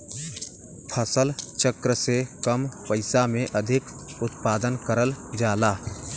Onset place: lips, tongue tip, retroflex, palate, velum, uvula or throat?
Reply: lips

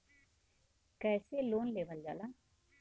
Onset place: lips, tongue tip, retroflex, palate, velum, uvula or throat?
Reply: velum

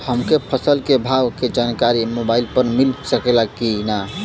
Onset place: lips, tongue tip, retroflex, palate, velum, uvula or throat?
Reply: throat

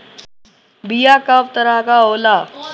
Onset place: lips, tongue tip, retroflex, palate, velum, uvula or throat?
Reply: lips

